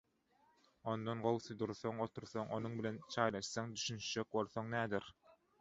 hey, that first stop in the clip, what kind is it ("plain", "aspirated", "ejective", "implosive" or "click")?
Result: plain